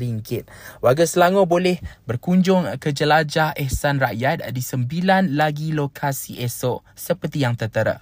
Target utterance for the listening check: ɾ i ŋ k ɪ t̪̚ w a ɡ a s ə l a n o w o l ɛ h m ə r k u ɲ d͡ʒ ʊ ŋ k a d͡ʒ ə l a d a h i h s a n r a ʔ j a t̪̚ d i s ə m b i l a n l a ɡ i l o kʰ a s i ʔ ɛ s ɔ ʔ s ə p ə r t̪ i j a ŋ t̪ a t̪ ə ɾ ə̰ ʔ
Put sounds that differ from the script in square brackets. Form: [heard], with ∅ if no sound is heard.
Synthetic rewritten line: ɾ i ŋ k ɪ t̪̚ w a ɡ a s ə l a [ŋ] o [b] o l ɛ h [b] ə r k u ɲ d͡ʒ ʊ ŋ k [ə] d͡ʒ ə l a [d͡ʒ] a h [ɛ] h s a n r a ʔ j a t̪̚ d i s ə m b i l a n l a ɡ i l o kʰ a s i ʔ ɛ s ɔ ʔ s ə p ə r t̪ i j a ŋ t̪ [ə] t̪ ə ɾ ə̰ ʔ